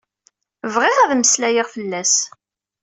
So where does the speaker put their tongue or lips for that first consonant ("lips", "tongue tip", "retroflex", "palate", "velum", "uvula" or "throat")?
lips